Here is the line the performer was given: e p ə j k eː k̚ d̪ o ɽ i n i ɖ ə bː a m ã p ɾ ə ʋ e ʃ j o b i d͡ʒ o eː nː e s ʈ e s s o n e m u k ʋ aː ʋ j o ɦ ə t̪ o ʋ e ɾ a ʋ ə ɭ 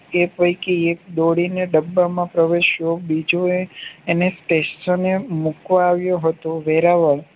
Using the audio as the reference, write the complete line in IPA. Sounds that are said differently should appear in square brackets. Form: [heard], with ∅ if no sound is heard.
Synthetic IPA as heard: e p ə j k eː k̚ d̪ o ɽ i n [e] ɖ ə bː a m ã p ɾ ə ʋ e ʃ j o b i d͡ʒ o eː [n] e s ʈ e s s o n e m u k ʋ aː ʋ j o ɦ ə t̪ o ʋ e ɾ a ʋ ə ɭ

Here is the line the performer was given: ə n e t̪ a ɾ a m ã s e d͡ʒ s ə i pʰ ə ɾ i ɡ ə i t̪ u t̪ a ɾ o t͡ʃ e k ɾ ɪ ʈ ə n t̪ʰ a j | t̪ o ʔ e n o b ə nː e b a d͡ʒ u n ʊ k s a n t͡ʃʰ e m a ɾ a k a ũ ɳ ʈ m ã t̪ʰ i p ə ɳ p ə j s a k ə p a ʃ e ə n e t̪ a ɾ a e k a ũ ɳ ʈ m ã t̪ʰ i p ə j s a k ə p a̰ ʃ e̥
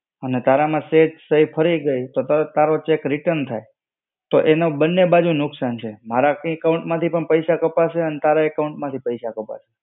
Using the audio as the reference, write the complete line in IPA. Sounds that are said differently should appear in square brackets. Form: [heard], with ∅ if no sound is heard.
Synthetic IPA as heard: ə n e t̪ a ɾ a m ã s e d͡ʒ s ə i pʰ ə ɾ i ɡ ə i t̪ [o] t̪ a ɾ o t͡ʃ e k ɾ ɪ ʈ ə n t̪ʰ a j | t̪ o ʔ e n o b ə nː e b a d͡ʒ u n ʊ k s a n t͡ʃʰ e m a ɾ a k a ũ ɳ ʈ m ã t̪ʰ i p ə ɳ p ə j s a k ə p a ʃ e ə n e t̪ a ɾ a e k a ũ ɳ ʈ m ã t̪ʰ i p ə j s a k ə p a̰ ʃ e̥

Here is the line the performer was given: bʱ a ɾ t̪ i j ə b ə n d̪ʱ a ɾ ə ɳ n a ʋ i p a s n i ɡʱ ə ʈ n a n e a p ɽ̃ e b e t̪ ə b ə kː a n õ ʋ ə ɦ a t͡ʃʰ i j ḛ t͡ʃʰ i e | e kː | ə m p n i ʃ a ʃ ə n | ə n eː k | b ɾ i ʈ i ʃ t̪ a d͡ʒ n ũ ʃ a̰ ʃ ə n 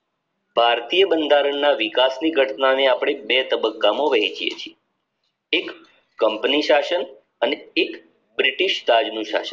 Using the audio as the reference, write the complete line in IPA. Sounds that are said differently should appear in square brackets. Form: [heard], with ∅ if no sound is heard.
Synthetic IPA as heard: bʱ a ɾ t̪ i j ə b ə n d̪ʱ a ɾ ə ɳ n a ʋ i [k] a s n i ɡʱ ə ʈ n a n e a p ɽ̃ e b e t̪ ə b ə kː a [m] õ ʋ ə ɦ [i] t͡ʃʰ i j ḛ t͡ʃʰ i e | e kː | ə m p n i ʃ a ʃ ə n | ə n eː k | b ɾ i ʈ i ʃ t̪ a d͡ʒ n ũ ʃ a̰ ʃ ə n

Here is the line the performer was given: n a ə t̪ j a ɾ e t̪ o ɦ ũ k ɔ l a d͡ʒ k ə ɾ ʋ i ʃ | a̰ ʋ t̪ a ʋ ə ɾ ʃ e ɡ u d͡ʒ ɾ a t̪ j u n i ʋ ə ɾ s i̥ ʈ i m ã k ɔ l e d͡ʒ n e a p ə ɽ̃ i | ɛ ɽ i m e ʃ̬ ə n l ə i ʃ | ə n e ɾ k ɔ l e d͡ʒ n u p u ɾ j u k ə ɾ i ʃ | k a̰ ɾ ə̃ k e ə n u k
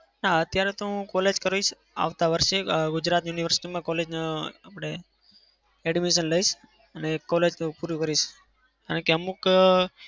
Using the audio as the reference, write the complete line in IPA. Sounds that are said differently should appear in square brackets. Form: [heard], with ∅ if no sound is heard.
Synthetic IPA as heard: n a ə t̪ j a ɾ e t̪ o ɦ ũ k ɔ l [e] d͡ʒ k ə ɾ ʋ i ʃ | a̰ ʋ t̪ a ʋ ə ɾ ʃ e ɡ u d͡ʒ ɾ a t̪ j u n i ʋ ə ɾ s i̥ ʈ i m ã k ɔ l e d͡ʒ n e a p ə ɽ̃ [e] | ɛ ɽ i m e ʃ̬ ə n l ə i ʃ | ə n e [∅] k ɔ l e d͡ʒ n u p u ɾ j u k ə ɾ i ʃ | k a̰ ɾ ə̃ k e ə [m] u k

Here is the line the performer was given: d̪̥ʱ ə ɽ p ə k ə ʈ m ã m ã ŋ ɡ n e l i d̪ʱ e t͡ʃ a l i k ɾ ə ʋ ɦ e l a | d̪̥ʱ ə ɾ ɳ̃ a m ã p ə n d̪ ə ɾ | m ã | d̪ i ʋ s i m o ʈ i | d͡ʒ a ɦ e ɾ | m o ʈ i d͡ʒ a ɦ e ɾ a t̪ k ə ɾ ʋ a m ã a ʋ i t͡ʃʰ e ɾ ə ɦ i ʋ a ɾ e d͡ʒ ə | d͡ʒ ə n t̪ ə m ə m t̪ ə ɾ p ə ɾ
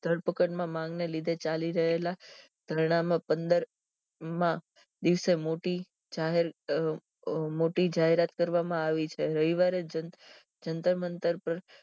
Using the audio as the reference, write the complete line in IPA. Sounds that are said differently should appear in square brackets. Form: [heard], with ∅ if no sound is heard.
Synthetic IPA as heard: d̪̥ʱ ə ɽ p ə k ə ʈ m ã m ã ŋ ɡ n e l i d̪ʱ e t͡ʃ a l i [∅] ɾ ə [∅] ɦ e l a | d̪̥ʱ ə ɾ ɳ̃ a m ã p ə n d̪ ə ɾ | m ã | d̪ i ʋ s [e] m o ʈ i | d͡ʒ a ɦ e ɾ | m o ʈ i d͡ʒ a ɦ e ɾ a t̪ k ə ɾ ʋ a m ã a ʋ i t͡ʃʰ e ɾ ə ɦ i ʋ a ɾ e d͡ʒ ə | d͡ʒ ə n t̪ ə m ə [n] t̪ ə ɾ p ə ɾ

